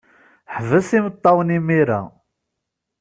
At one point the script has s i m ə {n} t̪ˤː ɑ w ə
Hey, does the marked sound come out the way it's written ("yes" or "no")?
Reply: no